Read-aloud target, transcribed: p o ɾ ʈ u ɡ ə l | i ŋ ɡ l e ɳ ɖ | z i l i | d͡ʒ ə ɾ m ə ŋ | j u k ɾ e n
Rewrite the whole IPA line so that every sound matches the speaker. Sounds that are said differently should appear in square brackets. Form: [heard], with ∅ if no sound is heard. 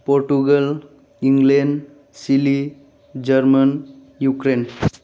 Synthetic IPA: p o ɾ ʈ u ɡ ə l | i ŋ ɡ l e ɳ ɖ | [s] i l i | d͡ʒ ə ɾ m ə [n] | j u k ɾ e n